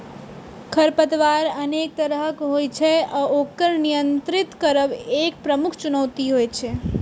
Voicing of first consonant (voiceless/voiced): voiceless